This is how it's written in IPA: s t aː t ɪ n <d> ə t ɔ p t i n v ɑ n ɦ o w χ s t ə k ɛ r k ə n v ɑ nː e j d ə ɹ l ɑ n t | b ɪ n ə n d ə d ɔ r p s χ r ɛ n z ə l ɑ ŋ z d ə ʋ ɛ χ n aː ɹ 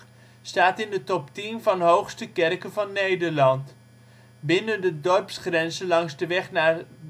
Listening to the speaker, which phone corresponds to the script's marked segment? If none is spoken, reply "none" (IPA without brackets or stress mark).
d